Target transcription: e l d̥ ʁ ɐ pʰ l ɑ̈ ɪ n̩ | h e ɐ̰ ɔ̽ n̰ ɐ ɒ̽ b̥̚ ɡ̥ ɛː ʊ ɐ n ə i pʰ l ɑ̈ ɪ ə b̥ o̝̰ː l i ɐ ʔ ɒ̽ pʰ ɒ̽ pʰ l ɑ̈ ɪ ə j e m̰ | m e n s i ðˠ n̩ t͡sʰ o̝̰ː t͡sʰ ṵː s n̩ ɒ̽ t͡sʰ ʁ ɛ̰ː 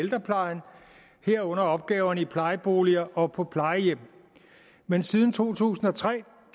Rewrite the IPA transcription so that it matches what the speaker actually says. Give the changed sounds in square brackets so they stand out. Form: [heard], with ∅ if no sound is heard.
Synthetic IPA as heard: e l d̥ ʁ ɐ pʰ l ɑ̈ ɪ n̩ | h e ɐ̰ ɔ̽ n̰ ɐ ɒ̽ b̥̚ ɡ̥ ɛː ʊ ɐ n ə i pʰ l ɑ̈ ɪ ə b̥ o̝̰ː l i ɐ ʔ ɒ̽ pʰ ɒ̽ pʰ l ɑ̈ ɪ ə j e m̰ | m e n s i ðˠ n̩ t͡sʰ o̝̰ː t͡sʰ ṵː s n̩ ɒ̽ t͡sʰ ʁ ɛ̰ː